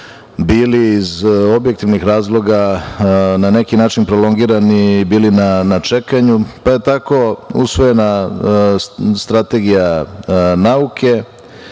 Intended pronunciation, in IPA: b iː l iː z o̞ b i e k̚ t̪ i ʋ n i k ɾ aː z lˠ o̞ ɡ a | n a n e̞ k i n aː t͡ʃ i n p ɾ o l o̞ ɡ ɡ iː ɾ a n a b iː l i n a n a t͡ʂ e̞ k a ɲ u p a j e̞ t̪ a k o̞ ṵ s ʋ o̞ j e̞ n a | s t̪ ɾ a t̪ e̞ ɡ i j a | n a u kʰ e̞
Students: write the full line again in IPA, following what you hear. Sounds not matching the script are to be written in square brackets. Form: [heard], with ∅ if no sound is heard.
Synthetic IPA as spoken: b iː l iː z o̞ b [j] e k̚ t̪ i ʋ n i [x] ɾ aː z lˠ o̞ ɡ a | n a n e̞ k i n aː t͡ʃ i n p ɾ o l o̞ [ŋ] ɡ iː ɾ a n [i] b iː l i n a n a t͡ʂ e̞ k a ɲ u p a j e̞ t̪ a k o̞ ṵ s ʋ o̞ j e̞ n a | s t̪ ɾ a t̪ e̞ ɡ i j a | n a u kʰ e̞